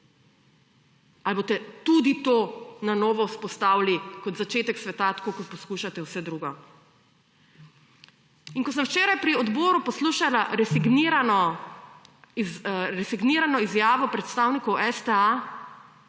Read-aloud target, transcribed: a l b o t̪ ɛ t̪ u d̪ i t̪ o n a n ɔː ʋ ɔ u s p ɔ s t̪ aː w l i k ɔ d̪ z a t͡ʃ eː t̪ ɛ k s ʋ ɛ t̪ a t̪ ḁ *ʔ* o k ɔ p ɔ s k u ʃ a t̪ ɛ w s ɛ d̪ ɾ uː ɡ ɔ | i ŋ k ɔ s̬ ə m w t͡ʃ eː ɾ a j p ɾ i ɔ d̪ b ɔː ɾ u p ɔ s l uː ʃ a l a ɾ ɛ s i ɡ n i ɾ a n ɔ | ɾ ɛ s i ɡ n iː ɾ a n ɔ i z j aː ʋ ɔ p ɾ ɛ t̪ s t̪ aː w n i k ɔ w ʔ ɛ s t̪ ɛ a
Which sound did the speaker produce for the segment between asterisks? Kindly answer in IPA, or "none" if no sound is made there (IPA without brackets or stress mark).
k